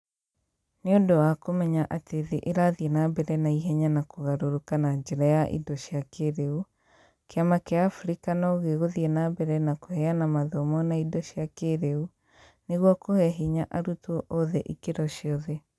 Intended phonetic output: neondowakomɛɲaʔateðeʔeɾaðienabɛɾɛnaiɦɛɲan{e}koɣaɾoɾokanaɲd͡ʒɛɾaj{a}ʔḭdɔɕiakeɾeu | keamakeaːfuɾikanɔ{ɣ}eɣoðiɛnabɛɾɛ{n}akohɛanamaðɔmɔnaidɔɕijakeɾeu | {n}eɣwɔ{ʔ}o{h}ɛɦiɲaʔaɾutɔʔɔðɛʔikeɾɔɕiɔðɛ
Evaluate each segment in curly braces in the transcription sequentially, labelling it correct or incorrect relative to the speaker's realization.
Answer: incorrect: a, correct, correct, correct, correct, incorrect: k, correct

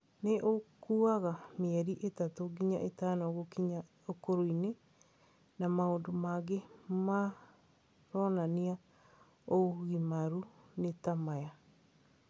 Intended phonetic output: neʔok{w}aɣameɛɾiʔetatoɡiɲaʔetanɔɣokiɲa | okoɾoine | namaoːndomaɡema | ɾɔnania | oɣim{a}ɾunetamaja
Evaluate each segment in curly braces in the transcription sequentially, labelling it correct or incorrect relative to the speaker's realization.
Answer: incorrect: u, correct

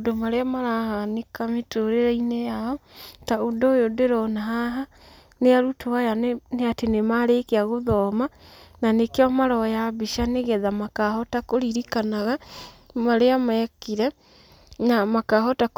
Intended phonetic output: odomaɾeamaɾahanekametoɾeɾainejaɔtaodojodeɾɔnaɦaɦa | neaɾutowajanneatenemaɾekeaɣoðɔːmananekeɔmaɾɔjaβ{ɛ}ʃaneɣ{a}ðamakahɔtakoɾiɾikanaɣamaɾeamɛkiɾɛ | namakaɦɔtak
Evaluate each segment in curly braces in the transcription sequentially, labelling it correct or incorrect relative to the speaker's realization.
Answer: incorrect: i, incorrect: ɛ

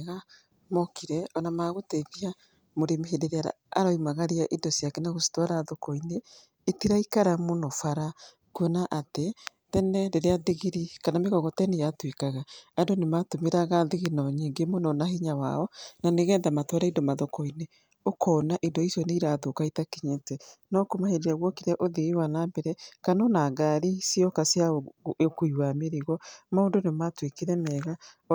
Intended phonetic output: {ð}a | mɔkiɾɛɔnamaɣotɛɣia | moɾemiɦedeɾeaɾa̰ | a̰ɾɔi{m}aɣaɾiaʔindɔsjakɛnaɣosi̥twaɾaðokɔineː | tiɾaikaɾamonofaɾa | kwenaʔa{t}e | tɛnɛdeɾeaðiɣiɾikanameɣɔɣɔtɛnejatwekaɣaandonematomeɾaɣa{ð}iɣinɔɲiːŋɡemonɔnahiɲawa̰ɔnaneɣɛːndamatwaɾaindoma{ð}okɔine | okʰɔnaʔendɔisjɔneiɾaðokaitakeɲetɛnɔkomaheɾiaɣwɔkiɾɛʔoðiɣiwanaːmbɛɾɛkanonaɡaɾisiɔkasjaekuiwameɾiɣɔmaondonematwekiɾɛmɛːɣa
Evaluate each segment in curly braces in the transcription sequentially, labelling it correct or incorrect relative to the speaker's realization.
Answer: incorrect: ɣ, correct, correct, correct, correct

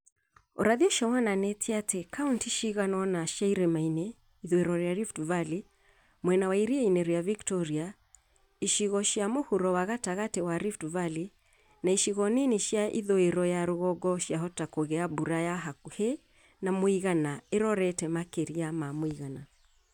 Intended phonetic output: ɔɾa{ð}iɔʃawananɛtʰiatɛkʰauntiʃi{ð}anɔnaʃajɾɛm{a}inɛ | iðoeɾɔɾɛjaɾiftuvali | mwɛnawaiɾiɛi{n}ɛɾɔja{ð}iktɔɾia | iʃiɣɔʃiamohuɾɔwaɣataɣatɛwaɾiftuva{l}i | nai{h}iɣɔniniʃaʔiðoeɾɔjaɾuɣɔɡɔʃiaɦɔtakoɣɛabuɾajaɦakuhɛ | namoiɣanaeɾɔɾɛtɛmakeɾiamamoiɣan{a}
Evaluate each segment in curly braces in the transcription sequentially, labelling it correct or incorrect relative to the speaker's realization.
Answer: correct, incorrect: ɣ, correct, correct, incorrect: v, correct, incorrect: ʃ, correct

